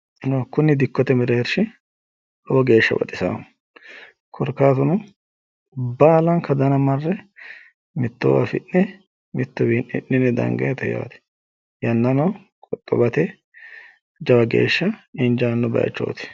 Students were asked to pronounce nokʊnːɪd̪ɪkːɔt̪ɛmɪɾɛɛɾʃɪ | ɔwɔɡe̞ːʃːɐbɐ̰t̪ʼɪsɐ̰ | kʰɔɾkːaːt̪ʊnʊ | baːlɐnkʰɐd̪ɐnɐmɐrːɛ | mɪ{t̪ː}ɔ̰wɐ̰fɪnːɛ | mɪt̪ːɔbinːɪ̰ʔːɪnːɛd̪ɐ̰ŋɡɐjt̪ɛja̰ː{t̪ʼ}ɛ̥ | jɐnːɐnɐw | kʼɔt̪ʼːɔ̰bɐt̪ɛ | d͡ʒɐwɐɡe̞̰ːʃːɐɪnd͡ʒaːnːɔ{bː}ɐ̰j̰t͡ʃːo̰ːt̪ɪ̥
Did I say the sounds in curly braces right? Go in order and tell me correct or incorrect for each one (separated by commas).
correct, incorrect, incorrect